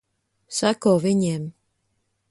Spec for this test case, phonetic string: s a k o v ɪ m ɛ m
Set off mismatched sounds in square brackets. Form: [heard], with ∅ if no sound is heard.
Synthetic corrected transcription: s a k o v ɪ [ɲ] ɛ m